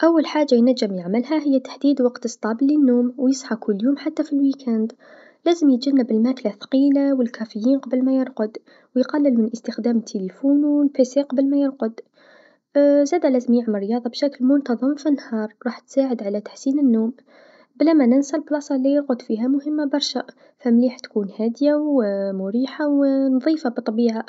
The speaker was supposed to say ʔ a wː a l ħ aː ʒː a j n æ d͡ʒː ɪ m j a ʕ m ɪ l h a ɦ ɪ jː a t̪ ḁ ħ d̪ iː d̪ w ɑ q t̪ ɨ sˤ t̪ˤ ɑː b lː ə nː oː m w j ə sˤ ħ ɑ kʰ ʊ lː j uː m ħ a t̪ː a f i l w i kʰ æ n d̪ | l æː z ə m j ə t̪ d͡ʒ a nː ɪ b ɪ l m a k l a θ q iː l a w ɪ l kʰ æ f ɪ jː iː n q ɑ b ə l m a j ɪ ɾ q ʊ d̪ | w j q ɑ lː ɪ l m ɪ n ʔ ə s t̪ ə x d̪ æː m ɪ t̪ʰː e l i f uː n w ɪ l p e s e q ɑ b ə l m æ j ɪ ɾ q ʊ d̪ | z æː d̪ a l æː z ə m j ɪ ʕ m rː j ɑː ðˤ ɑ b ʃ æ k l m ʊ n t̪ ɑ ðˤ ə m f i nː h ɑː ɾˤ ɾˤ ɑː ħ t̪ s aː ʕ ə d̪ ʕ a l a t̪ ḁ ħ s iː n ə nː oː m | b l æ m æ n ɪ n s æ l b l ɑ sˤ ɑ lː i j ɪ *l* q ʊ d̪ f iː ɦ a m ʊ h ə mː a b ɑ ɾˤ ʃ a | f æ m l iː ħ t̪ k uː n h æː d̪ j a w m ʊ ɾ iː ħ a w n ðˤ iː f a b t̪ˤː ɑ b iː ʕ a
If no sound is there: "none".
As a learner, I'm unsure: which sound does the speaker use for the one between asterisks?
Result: ɾ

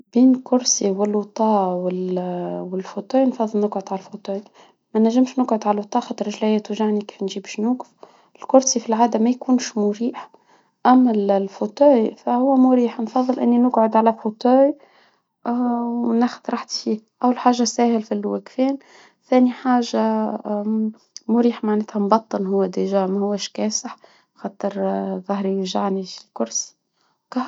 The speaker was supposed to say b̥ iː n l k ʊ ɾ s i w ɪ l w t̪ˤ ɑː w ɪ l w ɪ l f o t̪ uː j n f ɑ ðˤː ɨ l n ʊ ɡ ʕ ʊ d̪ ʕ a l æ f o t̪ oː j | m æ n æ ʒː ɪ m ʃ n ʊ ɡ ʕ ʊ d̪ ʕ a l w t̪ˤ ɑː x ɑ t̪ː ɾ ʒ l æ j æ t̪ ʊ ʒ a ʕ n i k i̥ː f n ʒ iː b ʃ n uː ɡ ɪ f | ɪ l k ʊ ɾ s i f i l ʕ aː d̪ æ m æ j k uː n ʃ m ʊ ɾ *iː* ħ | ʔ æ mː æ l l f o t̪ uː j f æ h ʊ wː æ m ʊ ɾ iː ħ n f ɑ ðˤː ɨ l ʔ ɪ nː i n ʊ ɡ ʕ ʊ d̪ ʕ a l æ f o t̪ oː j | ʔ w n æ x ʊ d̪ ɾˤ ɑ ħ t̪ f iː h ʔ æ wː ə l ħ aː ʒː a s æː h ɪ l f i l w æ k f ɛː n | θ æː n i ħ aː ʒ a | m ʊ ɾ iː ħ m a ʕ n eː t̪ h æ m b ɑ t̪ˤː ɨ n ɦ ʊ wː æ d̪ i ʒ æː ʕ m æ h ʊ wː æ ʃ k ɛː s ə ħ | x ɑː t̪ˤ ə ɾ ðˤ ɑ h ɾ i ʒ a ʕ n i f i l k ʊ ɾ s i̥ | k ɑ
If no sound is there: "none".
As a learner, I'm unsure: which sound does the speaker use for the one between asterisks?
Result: iː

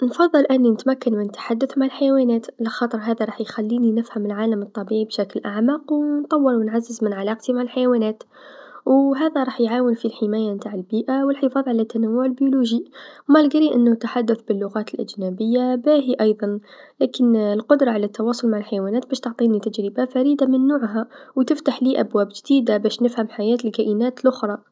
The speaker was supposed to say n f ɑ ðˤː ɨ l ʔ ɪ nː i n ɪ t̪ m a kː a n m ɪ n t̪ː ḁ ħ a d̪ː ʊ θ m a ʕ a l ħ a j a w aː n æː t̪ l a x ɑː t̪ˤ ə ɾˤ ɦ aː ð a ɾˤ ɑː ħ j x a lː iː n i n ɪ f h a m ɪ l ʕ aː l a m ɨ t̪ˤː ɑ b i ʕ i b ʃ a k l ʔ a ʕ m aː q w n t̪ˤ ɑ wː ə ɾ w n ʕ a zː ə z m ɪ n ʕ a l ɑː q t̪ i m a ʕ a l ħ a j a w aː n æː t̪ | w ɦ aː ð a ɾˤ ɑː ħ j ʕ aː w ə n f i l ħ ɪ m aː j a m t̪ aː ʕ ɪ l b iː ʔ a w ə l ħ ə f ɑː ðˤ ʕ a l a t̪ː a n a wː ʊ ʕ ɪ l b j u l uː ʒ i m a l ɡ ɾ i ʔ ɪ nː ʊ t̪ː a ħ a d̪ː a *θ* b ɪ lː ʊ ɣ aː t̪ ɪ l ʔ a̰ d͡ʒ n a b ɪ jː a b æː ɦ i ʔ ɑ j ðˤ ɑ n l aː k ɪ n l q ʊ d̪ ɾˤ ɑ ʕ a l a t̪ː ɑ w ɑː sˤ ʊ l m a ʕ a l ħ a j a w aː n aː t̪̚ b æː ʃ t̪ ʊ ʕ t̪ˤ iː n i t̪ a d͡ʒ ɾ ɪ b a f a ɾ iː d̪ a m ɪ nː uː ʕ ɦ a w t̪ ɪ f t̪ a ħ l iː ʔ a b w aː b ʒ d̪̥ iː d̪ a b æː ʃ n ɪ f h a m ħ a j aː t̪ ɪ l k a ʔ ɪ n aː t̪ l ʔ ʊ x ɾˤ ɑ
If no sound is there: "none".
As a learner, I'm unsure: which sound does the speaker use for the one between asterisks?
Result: θ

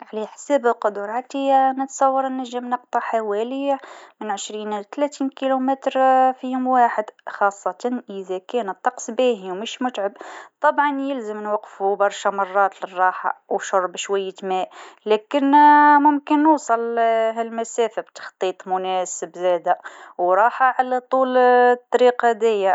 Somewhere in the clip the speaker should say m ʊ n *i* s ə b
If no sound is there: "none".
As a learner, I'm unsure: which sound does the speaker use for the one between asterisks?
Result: æ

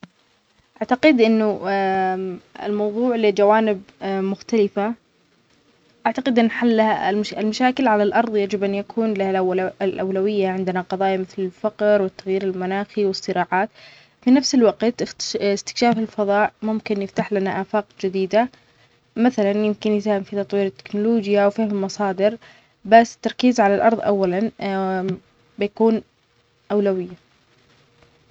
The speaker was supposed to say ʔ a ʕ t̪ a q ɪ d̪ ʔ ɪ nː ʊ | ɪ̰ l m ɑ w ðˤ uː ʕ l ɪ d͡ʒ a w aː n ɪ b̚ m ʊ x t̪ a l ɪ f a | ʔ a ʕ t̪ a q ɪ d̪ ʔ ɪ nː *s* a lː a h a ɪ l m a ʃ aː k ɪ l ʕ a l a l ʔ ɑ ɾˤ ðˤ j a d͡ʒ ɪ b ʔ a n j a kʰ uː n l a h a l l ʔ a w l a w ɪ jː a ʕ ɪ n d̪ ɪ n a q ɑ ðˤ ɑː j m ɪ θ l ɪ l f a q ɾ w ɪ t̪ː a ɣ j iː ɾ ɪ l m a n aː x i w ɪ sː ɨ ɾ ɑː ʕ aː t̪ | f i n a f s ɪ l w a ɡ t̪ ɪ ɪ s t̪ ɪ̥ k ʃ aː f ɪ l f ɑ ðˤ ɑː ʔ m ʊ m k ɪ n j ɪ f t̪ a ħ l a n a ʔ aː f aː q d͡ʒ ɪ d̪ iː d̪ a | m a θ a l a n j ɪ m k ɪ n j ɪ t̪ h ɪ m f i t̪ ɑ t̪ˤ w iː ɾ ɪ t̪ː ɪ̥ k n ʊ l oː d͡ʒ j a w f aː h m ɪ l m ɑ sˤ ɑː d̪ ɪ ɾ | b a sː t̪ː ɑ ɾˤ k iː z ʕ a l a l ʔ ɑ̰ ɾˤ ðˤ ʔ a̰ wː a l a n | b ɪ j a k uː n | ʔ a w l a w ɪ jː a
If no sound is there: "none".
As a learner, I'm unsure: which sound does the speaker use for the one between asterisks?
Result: ħ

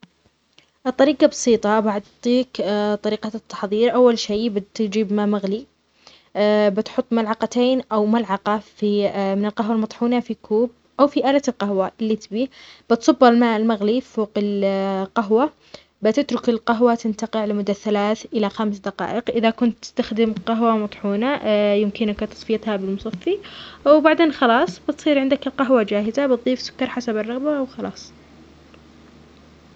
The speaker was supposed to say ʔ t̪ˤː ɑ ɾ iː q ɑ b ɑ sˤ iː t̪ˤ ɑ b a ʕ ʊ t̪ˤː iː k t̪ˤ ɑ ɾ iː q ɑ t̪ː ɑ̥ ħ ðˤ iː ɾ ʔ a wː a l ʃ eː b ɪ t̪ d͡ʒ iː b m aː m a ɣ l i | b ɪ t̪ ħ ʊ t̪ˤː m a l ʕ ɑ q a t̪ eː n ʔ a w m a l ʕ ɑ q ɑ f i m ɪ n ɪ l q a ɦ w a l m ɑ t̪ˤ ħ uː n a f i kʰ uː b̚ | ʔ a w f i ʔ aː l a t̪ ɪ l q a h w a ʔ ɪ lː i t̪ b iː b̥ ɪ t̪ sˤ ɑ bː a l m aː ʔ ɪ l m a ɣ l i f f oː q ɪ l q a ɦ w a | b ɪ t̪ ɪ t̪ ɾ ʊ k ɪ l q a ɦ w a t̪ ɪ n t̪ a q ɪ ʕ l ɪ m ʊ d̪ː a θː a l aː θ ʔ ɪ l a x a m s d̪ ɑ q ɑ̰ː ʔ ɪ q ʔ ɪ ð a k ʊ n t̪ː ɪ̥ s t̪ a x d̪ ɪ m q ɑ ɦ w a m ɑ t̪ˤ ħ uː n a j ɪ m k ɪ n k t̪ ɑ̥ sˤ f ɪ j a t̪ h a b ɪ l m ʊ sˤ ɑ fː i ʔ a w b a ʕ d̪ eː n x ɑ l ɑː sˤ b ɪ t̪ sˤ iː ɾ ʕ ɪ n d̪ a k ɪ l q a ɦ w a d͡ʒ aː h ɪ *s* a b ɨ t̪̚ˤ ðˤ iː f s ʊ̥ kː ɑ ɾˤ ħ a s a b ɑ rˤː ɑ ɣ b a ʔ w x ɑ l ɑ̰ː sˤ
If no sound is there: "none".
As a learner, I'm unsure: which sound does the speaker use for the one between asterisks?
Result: z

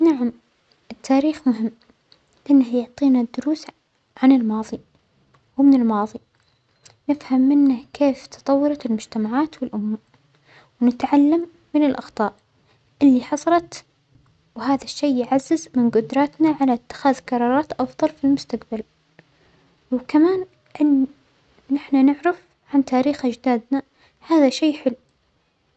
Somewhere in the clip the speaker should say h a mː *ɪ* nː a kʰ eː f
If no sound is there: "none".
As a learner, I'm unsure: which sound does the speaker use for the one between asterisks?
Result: ɪ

